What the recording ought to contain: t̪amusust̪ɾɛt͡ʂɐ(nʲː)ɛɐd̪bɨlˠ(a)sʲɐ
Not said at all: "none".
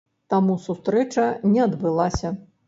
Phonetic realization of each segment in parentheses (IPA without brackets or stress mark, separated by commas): nʲ, a